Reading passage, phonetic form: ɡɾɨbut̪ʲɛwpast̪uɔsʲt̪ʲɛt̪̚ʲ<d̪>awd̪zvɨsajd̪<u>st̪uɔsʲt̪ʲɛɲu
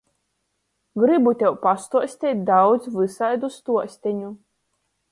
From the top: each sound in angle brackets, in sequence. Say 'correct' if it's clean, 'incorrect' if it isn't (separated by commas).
correct, correct